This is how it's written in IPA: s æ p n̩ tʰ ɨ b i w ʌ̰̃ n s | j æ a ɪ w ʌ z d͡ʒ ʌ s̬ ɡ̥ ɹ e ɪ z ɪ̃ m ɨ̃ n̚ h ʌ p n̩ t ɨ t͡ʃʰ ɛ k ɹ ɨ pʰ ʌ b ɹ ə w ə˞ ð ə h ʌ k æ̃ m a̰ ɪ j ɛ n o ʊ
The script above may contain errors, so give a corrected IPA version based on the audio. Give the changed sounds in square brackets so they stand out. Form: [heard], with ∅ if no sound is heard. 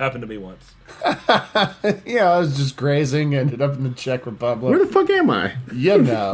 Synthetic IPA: [h] æ p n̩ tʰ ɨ b i w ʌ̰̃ n s | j æ a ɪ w ʌ z d͡ʒ ʌ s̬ ɡ̥ ɹ e ɪ z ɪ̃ [ŋ] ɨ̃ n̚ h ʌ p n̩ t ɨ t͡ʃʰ ɛ k ɹ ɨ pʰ ʌ b [l] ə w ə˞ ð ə [f] ʌ k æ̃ m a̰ ɪ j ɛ n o ʊ